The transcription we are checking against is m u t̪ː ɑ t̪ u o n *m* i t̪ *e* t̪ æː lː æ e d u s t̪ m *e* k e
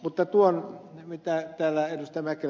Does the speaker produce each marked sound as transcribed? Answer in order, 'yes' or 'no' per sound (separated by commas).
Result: yes, no, no